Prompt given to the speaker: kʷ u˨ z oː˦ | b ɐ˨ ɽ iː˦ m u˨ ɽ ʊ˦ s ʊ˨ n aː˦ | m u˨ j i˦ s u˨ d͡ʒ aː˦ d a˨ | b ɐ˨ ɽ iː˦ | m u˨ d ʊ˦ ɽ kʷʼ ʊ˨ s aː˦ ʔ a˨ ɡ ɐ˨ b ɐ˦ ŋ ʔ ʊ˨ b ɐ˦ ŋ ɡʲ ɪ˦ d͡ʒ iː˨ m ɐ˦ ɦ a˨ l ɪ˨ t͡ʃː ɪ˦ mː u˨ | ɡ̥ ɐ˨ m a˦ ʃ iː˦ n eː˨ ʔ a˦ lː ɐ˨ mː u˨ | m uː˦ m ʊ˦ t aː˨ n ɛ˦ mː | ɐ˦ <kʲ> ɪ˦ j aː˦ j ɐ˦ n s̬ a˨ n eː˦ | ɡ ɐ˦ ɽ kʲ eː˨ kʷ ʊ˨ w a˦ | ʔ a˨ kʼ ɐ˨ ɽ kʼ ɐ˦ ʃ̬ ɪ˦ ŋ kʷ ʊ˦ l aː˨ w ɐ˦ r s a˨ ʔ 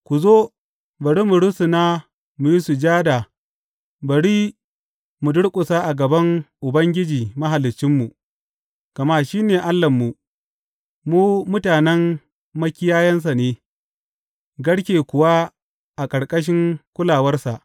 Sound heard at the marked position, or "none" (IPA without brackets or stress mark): kʲ